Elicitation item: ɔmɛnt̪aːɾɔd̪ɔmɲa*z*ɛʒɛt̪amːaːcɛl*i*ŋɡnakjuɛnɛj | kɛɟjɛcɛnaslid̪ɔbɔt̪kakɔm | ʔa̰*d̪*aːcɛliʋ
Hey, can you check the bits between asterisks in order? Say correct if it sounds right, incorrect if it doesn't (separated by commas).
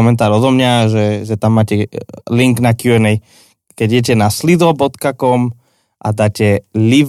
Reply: incorrect, correct, correct